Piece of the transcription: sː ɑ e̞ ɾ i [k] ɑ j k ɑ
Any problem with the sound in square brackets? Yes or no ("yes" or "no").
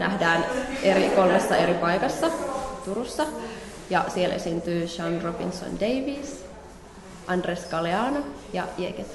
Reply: yes